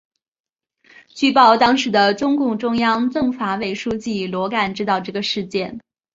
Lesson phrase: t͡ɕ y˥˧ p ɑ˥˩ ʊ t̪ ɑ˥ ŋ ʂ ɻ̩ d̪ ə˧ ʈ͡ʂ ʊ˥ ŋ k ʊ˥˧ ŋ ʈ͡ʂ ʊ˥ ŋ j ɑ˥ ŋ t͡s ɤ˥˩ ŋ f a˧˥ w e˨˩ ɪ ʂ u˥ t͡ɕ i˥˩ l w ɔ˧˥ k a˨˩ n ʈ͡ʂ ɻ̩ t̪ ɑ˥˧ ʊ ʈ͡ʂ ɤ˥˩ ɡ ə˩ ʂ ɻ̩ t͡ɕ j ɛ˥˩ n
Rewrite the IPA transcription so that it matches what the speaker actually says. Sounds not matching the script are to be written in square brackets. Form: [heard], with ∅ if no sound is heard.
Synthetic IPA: t͡ɕ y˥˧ p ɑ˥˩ ʊ t̪ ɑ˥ ŋ ʂ ɻ̩ d̪ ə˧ ʈ͡ʂ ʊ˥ ŋ k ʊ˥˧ ŋ ʈ͡ʂ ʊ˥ ŋ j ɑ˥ ŋ t͡s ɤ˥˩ ŋ f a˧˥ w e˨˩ ɪ ʂ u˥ t͡ɕ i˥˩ l w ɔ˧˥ k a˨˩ n ʈ͡ʂ ɻ̩ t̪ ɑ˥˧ ʊ ʈ͡ʂ ɤ˥˩ ɡ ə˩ ʂ ɻ̩ t͡ɕ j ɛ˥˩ n